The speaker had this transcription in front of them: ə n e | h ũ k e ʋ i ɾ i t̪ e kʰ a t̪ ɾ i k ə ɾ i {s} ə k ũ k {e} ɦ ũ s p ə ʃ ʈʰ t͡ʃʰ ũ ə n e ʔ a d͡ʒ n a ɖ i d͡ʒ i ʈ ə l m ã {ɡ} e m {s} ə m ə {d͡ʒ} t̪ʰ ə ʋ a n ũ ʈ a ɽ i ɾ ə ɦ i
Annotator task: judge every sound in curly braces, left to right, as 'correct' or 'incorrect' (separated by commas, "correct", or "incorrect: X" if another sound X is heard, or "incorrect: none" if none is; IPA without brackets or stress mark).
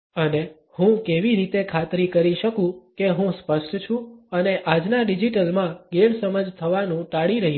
incorrect: ʃ, correct, correct, correct, correct